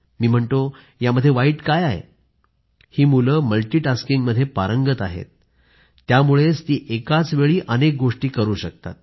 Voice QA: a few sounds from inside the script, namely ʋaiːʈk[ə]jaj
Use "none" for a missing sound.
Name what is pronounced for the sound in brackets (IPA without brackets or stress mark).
a